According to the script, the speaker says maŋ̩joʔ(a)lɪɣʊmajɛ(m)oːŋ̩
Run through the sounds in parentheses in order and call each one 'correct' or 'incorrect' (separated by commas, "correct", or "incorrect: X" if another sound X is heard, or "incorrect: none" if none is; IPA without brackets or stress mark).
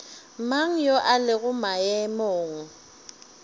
correct, correct